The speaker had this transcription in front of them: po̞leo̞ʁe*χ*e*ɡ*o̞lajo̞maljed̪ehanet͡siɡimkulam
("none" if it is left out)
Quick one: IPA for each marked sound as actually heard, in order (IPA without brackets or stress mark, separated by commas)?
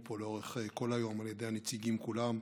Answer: χ, k